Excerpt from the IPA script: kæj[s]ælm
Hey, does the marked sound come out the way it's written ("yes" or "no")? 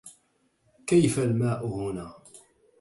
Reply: no